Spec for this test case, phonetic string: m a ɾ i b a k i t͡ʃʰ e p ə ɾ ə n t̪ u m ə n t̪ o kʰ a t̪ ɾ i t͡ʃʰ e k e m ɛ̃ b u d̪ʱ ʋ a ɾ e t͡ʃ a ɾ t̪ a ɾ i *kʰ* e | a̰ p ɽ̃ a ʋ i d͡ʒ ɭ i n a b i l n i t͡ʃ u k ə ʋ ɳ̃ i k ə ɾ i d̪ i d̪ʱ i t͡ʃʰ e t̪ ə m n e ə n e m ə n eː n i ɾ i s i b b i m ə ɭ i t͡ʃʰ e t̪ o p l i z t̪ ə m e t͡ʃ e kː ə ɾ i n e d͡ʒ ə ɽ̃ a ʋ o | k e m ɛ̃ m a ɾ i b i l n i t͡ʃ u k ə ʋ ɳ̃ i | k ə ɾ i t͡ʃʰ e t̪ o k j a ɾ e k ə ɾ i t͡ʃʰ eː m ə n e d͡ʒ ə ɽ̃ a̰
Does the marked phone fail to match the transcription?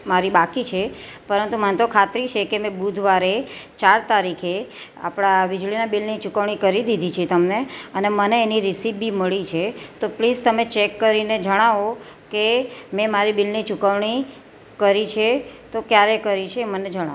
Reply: no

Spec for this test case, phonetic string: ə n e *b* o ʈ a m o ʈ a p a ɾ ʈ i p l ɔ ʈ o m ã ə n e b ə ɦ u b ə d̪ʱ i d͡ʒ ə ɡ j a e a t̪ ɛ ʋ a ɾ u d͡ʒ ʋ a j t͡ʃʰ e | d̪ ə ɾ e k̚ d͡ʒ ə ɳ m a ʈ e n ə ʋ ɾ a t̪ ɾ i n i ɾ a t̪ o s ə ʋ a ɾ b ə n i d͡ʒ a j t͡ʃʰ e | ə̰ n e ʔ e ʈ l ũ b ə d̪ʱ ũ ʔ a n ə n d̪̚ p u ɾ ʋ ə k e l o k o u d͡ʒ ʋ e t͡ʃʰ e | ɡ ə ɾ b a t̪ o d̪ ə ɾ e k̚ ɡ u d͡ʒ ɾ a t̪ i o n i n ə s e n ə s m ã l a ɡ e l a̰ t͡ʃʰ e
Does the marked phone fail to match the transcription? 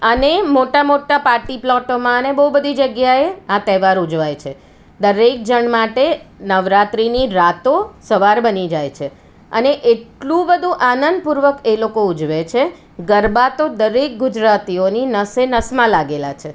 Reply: yes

